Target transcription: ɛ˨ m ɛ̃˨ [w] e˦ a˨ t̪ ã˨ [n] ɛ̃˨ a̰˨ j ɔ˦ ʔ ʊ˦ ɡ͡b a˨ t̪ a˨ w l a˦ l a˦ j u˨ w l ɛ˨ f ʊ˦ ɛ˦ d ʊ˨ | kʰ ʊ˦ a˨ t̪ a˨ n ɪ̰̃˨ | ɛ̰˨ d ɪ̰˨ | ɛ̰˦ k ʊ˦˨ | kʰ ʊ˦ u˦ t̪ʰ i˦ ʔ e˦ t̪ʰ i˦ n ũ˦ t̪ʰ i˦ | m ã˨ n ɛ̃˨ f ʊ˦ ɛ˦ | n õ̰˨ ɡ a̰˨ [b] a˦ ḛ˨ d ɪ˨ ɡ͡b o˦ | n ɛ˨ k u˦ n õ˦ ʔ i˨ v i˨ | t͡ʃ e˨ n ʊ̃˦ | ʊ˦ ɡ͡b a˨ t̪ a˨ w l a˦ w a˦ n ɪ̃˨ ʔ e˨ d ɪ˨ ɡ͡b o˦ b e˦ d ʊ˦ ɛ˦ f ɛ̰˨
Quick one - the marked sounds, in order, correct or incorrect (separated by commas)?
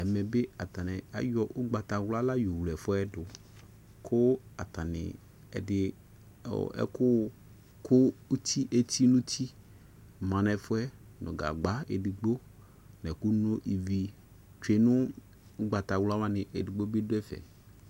incorrect, correct, incorrect